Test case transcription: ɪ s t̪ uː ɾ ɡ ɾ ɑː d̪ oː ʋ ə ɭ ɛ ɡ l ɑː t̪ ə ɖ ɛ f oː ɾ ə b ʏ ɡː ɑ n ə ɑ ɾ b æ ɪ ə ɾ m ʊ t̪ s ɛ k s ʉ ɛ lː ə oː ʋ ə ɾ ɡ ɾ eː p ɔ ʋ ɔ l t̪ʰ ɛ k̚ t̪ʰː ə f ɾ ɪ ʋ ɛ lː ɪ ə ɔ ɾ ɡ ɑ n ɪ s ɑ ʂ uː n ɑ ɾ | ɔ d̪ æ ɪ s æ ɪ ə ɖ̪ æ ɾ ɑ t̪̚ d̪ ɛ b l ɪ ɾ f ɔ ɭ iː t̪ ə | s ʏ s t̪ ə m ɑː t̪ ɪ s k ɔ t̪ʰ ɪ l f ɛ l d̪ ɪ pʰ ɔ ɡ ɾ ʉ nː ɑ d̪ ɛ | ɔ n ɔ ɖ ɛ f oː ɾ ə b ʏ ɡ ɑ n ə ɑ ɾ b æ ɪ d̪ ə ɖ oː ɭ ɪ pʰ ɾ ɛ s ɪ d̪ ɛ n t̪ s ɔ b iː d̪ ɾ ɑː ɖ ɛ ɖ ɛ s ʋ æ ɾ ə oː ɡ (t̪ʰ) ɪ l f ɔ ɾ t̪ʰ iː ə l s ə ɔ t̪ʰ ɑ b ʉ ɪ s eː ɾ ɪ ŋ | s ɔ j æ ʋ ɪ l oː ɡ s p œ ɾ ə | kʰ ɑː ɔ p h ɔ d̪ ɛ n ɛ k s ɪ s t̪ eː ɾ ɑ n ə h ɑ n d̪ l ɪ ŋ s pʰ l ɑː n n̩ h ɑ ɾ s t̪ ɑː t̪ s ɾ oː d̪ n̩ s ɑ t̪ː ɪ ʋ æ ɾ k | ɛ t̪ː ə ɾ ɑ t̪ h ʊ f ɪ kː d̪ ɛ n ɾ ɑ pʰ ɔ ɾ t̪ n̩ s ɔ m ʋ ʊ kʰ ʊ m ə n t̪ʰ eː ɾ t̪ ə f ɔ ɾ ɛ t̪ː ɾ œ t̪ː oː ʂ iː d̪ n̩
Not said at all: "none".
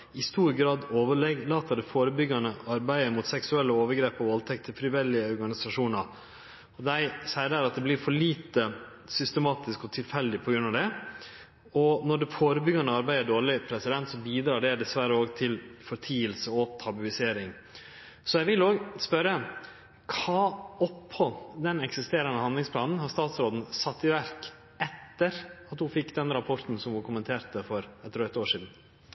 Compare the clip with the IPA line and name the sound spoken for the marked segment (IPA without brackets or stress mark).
t̪ʰ